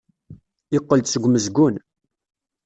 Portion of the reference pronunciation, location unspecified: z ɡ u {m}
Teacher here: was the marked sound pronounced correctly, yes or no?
no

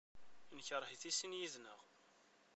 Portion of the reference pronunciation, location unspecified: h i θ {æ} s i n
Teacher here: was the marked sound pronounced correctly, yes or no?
no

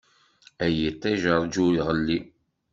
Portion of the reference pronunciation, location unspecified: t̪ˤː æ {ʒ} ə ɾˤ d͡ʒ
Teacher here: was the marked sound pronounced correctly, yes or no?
yes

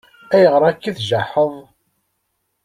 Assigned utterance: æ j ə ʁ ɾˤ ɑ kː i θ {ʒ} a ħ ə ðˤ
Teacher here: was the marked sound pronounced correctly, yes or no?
yes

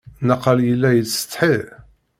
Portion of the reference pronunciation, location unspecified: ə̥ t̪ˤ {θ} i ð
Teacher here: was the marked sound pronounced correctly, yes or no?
no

